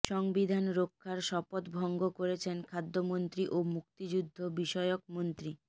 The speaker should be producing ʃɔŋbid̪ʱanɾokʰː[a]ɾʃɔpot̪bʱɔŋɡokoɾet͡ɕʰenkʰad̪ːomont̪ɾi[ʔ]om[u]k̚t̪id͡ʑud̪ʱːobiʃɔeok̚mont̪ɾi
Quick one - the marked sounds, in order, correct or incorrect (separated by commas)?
correct, correct, correct